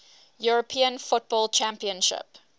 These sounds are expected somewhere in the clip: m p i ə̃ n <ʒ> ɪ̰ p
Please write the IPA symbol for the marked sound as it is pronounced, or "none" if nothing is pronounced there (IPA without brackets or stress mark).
ʃ